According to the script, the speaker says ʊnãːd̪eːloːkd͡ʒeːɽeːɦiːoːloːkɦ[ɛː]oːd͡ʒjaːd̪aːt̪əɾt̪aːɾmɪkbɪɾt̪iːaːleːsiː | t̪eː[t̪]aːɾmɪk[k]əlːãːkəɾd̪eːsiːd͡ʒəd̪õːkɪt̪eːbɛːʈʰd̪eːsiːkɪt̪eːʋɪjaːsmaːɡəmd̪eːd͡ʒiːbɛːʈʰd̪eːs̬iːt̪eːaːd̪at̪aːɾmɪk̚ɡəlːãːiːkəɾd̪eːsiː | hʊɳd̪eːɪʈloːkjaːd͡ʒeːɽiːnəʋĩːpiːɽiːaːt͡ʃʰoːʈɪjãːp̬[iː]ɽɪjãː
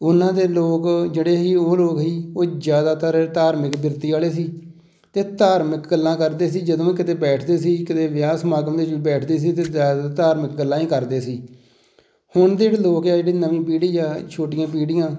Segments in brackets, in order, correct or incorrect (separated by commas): incorrect, correct, incorrect, correct